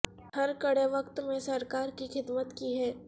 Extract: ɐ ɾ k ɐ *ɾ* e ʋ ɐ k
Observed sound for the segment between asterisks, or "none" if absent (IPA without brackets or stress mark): ɽ